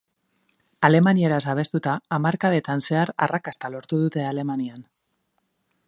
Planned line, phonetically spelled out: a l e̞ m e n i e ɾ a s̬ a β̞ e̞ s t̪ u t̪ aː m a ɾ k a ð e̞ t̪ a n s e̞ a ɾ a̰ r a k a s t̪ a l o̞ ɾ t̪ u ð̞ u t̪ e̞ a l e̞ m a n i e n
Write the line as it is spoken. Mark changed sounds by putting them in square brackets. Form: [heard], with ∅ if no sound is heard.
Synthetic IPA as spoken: a l e̞ m [a] n i e ɾ a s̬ a β̞ e̞ s t̪ u t̪ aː m a ɾ k a ð e̞ t̪ a n s e̞ a ɾ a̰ r a k a s t̪ a l o̞ ɾ t̪ u ð̞ u t̪ e̞ a l e̞ m a n i [a] n